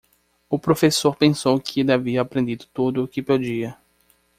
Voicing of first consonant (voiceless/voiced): voiceless